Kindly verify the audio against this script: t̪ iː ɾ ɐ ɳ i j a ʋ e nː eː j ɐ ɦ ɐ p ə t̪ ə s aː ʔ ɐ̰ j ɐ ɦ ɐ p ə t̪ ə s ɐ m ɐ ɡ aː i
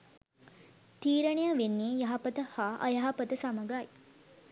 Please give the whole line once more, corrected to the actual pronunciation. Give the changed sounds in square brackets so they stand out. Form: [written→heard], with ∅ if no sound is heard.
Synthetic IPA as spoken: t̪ iː ɾ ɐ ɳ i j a ʋ e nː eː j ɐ ɦ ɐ p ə t̪ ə [s→h] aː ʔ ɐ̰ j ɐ ɦ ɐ p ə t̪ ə s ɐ m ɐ ɡ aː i